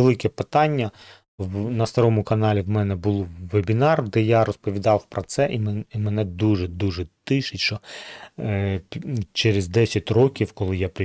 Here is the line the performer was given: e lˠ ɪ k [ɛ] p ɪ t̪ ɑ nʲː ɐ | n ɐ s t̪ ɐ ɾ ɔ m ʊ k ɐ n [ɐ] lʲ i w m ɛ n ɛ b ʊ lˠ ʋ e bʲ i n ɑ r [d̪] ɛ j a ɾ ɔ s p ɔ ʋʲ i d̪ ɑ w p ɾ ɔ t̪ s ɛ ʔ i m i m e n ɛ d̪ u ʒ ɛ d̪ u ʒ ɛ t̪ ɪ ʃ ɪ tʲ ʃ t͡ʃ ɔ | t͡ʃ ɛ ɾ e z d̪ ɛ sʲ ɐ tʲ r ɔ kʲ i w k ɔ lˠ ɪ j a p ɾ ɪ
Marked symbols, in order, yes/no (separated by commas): yes, no, yes